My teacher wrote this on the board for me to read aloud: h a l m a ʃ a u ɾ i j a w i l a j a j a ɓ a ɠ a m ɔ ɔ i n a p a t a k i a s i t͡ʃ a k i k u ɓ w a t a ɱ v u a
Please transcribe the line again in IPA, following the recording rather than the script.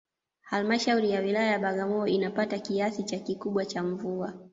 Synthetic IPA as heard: h a l m a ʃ a u ɾ i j a w i l a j a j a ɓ a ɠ a m ɔ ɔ i n a p a t a k i a s i t͡ʃ a k i k u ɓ w a t͡ʃ a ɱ v u a